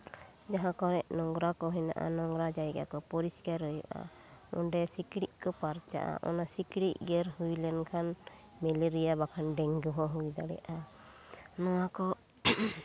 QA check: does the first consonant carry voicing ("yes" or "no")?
yes